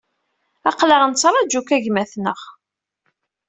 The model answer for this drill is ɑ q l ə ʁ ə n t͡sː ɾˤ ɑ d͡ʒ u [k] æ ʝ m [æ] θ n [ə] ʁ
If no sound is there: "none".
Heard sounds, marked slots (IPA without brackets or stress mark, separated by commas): k, æ, ə